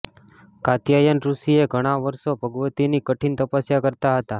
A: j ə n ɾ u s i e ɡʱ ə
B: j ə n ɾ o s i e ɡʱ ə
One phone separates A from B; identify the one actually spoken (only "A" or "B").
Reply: A